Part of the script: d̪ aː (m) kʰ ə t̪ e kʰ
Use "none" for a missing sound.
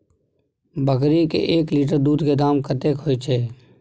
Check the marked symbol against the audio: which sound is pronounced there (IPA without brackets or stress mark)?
m